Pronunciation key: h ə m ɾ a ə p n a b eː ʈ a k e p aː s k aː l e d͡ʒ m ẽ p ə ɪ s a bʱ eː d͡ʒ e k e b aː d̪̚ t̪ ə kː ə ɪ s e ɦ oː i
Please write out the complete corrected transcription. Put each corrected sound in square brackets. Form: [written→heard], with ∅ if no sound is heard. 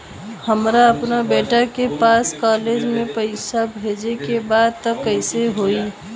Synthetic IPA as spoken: h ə m ɾ a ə p n a b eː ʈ a k e p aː s k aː l e d͡ʒ m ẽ p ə ɪ s a bʱ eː d͡ʒ e k e b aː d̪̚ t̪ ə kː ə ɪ s e ɦ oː i